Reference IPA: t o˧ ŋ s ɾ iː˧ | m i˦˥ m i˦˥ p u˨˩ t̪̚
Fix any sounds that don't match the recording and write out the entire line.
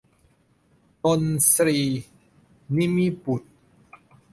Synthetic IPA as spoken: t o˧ n s ɾ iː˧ | n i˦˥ m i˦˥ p u˨˩ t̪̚